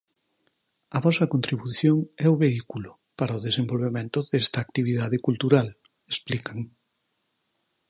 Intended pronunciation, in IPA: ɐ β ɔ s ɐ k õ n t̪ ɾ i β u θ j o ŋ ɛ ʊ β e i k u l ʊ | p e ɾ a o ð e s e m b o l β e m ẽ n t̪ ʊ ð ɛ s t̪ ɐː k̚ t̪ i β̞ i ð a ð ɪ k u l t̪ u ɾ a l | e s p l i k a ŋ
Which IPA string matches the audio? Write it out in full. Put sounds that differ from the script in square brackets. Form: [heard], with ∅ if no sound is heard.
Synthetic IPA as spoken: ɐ β ɔ s ɐ k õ n t̪ ɾ i β u θ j o ŋ ɛ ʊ β e i k u l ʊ | p [a] ɾ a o ð e s e m b o l β e m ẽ n t̪ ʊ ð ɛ s t̪ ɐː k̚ t̪ i β̞ i ð a ð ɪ k u l t̪ u ɾ a l | e s p l i k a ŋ